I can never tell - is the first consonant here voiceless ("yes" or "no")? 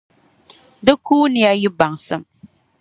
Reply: no